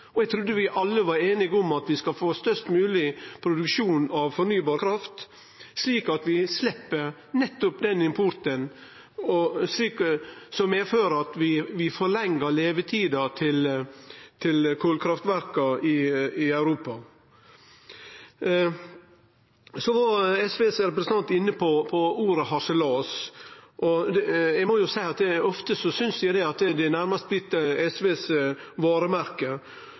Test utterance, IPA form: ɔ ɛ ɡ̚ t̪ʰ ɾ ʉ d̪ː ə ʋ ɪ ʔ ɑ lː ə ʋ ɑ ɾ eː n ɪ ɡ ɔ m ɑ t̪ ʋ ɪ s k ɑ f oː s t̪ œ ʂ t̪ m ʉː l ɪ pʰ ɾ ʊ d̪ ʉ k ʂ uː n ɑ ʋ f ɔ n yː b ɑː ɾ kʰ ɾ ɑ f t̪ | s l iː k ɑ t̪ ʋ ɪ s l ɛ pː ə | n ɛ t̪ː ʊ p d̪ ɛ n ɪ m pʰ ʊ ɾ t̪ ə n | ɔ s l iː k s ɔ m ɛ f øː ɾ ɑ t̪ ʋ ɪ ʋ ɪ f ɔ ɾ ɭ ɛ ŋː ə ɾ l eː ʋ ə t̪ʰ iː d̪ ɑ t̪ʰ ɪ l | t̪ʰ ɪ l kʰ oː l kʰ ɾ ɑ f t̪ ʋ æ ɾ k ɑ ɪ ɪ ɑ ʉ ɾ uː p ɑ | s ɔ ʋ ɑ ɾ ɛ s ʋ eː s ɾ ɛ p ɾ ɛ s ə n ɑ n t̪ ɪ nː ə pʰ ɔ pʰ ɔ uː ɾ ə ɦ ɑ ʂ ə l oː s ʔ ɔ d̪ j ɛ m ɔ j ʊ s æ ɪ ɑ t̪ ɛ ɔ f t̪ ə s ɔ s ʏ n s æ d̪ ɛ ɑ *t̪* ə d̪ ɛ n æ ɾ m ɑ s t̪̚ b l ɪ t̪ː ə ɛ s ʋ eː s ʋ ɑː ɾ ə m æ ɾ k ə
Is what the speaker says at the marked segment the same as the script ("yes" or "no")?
yes